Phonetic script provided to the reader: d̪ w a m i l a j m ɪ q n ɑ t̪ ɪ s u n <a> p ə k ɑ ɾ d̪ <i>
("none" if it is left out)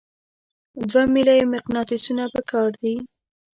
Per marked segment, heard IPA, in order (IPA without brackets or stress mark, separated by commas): a, i